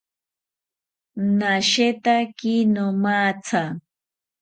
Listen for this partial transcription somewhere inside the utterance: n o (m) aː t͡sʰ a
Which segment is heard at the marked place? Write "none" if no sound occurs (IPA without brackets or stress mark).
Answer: m